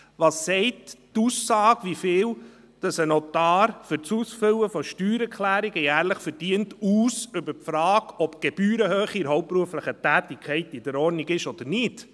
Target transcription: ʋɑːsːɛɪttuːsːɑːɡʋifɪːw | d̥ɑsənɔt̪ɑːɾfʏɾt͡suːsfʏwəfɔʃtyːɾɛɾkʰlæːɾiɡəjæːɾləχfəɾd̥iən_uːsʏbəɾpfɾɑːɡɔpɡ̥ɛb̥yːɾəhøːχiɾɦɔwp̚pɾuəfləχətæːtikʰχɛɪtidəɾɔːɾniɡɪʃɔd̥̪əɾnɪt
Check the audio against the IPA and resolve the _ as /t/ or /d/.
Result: t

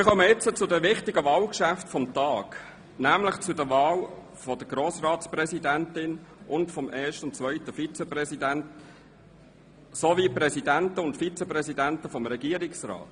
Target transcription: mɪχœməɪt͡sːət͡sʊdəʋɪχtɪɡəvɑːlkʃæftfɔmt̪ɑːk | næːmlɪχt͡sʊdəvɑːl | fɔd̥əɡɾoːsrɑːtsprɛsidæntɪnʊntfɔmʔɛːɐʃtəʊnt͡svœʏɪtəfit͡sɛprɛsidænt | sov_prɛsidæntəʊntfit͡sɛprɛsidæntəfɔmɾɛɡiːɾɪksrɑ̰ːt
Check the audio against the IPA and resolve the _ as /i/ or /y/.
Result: i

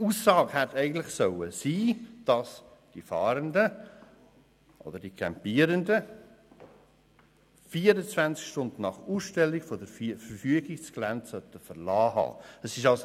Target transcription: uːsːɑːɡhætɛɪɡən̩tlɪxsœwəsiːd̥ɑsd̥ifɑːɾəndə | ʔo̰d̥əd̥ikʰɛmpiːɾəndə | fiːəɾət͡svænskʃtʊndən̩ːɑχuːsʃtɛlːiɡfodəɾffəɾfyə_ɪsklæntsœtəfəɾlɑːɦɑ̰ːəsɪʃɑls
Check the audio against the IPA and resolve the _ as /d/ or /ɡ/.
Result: ɡ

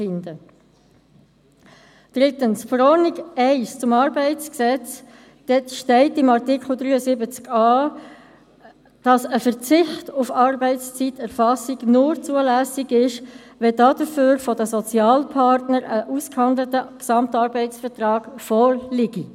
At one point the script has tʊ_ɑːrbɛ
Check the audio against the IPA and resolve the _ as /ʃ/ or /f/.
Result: f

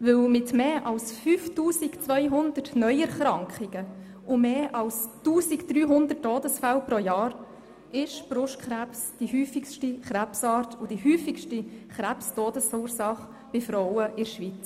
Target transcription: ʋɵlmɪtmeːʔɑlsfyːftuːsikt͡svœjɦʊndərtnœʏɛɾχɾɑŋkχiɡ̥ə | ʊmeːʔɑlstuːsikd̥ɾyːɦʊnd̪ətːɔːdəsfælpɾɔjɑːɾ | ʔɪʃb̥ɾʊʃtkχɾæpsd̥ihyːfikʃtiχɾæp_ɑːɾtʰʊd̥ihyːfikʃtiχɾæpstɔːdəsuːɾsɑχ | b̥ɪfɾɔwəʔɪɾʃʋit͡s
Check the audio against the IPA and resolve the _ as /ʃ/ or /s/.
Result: s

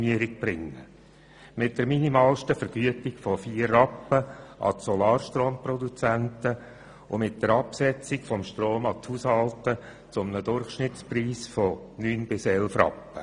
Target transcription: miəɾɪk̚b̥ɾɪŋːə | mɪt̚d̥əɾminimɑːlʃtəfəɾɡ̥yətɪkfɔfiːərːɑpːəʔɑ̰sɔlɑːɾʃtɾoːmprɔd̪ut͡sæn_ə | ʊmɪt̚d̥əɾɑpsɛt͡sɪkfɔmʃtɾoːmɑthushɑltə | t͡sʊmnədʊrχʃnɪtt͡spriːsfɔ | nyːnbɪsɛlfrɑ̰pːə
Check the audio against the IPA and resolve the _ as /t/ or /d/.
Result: t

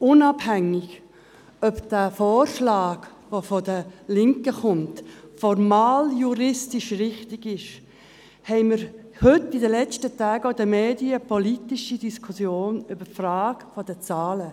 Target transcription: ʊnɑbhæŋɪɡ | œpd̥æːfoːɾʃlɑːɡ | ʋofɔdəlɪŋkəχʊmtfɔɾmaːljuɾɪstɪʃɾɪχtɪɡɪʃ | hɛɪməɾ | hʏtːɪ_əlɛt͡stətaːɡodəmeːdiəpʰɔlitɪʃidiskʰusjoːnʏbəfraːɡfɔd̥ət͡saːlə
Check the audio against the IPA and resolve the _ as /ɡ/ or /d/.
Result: d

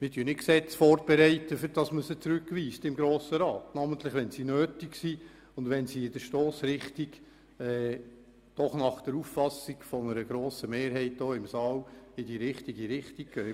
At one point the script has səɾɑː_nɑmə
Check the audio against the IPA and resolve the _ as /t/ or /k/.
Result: t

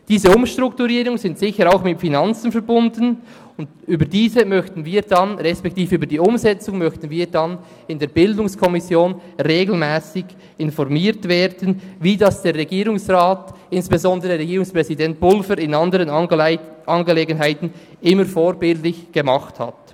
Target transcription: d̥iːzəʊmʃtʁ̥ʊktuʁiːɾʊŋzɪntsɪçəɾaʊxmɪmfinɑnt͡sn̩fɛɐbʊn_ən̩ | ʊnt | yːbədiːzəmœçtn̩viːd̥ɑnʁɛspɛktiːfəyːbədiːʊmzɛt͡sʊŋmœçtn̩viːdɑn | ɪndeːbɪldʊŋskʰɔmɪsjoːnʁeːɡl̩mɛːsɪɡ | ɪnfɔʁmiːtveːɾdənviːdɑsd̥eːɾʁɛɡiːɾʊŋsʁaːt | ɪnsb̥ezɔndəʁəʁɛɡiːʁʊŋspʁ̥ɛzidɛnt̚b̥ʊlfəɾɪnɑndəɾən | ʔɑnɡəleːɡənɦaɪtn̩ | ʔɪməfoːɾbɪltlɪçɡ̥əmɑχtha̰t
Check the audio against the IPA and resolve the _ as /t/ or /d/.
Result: d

